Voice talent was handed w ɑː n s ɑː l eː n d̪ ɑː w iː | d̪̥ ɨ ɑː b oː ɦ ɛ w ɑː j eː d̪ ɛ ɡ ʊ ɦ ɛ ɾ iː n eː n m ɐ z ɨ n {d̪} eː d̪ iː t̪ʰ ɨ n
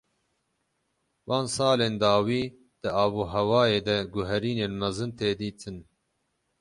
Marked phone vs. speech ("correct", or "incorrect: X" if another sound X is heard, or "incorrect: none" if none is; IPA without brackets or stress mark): incorrect: t̪